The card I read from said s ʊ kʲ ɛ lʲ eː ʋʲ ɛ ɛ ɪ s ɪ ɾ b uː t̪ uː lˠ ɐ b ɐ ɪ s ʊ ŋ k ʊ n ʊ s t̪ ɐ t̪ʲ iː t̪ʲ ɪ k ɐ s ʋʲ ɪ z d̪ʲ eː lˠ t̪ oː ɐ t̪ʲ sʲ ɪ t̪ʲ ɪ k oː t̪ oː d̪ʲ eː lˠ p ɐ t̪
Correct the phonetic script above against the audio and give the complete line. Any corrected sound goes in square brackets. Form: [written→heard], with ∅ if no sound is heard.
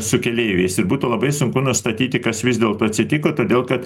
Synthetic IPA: s ʊ kʲ ɛ lʲ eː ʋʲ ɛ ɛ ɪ s ɪ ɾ b uː t̪ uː lˠ ɐ b ɐ ɪ s ʊ ŋ k ʊ n ʊ s t̪ ɐ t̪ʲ iː t̪ʲ ɪ k ɐ s ʋʲ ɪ z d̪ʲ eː lˠ t̪ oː ɐ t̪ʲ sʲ ɪ t̪ʲ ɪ k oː t̪ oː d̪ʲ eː lˠ [p→k] ɐ t̪